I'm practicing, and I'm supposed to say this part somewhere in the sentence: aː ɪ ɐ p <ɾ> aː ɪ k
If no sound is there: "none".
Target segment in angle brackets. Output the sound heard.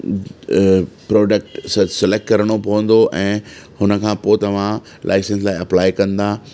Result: l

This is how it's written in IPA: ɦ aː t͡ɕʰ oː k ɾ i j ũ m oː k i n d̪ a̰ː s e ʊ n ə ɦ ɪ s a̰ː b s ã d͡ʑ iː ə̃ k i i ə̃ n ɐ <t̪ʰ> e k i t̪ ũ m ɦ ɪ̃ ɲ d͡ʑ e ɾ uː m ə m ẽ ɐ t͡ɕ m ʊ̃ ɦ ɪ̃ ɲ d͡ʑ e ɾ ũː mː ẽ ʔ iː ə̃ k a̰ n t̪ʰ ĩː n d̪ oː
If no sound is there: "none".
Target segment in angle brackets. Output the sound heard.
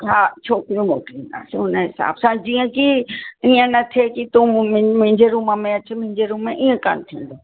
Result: t̪ʰ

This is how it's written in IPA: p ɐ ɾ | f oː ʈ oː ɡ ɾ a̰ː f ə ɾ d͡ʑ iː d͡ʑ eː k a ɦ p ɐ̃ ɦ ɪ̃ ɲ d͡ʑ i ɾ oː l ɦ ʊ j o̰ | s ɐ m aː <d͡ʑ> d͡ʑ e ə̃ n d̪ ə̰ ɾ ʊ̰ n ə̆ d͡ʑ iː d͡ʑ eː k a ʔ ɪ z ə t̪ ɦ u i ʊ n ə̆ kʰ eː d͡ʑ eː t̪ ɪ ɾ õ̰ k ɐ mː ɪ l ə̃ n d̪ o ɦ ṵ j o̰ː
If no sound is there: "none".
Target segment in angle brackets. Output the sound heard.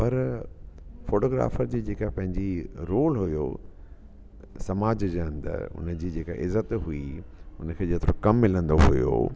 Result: d͡ʑ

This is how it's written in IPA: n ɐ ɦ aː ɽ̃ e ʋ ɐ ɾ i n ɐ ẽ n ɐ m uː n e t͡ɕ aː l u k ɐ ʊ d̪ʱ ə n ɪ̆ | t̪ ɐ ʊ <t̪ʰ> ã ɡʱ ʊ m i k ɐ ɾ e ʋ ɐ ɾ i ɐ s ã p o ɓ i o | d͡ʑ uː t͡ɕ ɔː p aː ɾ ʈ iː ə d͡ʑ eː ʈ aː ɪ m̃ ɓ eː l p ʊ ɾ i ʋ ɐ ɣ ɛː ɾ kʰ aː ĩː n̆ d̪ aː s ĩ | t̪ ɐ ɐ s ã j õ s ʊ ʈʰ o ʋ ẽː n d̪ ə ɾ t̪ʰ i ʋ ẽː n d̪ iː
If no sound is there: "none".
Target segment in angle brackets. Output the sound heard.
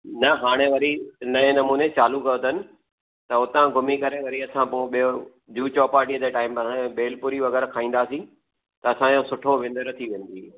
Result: t̪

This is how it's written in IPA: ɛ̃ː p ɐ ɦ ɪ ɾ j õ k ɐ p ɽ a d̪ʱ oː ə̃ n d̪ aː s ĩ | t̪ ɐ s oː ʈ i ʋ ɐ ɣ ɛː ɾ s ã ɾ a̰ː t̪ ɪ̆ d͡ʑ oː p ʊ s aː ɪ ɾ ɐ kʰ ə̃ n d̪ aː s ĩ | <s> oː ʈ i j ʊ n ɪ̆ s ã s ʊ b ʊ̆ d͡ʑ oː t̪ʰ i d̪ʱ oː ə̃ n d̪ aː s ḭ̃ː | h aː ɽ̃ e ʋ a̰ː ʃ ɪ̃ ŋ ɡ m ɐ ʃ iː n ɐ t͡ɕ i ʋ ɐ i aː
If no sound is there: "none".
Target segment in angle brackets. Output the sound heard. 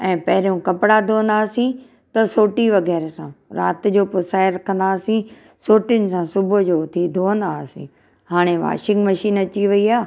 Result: s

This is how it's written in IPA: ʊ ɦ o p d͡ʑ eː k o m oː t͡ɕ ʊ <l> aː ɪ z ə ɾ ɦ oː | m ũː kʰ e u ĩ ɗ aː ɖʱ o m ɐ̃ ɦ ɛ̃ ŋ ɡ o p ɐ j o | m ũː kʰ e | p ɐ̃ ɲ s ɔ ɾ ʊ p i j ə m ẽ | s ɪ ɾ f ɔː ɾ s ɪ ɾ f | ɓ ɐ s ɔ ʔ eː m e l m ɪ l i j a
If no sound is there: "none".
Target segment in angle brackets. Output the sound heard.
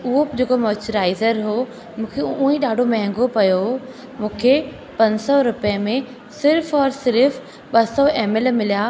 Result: ɾ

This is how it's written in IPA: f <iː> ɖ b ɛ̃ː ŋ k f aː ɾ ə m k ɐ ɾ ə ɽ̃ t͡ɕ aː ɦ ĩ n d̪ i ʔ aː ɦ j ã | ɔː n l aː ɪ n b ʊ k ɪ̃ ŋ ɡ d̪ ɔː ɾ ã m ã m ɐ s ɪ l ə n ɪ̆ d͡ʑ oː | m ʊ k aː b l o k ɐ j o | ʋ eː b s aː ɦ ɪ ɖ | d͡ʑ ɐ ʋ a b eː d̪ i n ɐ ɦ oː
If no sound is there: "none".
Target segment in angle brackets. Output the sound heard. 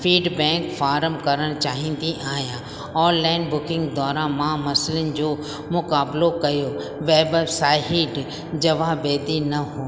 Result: iː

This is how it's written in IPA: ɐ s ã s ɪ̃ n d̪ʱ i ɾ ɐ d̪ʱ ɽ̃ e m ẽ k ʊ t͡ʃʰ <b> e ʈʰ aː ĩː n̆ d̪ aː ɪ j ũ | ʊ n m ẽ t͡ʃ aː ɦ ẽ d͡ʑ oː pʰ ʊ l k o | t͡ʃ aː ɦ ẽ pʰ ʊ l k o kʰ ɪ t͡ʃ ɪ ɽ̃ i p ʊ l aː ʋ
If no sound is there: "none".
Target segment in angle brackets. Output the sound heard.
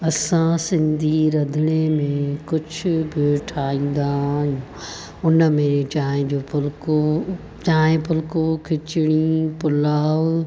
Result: b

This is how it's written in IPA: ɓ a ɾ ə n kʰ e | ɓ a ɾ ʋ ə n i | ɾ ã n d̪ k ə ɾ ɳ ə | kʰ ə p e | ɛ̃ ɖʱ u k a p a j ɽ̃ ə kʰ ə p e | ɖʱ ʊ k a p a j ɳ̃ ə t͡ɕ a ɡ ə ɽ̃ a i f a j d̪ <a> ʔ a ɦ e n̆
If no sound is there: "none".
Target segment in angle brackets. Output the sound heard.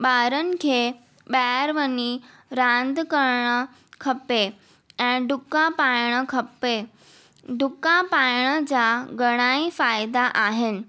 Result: a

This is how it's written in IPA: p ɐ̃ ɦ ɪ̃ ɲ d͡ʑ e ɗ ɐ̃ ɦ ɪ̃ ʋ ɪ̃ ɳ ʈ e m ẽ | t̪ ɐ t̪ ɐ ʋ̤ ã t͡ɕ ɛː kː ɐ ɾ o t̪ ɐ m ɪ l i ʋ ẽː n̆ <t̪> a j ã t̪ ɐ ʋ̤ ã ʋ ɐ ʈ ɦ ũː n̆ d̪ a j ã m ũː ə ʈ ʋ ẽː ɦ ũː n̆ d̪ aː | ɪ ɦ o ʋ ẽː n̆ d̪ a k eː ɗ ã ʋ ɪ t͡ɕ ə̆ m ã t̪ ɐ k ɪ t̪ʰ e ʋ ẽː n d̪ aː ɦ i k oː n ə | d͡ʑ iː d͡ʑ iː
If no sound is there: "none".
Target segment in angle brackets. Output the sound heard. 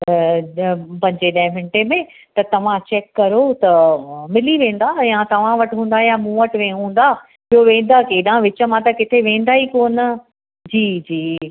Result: d̪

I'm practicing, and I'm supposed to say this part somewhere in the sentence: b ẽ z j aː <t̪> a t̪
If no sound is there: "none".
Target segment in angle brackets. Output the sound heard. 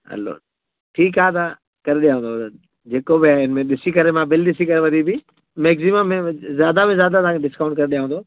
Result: d̪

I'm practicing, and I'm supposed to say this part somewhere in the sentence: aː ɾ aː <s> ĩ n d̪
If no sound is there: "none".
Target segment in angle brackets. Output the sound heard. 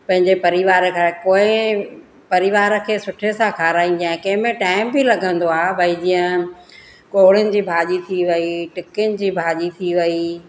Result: none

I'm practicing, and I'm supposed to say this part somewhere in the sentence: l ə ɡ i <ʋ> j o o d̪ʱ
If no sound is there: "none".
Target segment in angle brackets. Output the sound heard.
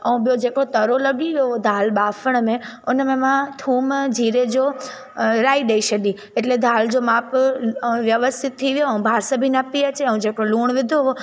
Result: ʋ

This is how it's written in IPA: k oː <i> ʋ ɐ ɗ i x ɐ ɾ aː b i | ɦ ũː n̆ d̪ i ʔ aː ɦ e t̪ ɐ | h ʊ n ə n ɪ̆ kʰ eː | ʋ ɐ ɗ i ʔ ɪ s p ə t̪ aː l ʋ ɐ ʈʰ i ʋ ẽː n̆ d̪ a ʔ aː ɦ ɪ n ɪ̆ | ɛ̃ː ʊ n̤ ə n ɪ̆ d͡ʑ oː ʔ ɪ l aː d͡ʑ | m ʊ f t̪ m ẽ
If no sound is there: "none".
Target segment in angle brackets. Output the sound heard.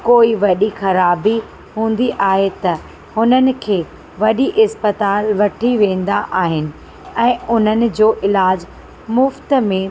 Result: i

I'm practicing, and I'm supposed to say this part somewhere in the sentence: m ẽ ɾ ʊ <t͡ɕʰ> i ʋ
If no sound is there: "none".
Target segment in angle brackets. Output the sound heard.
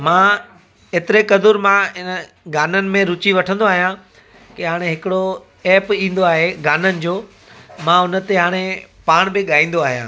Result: t͡ɕ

